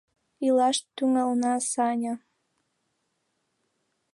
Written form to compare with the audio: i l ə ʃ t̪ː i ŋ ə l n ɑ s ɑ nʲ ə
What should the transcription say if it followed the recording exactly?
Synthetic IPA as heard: i l ɑ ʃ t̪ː y ŋ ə l n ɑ s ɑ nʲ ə

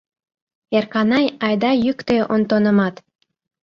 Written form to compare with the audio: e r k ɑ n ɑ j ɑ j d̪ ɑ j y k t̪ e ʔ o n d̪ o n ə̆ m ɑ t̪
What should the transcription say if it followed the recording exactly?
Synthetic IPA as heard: e r k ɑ n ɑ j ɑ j d̪ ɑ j y k t̪ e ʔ o n t̪ o n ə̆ m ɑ t̪

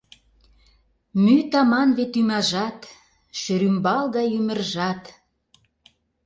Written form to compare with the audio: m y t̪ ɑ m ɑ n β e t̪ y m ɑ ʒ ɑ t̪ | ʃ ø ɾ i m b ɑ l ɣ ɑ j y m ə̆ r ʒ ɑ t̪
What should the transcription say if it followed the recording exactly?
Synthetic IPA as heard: m y t̪ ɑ m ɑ n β e t̪ y m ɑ ʒ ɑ t̪ | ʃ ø ɾ y m b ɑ l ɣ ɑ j y m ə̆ r ʒ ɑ t̪

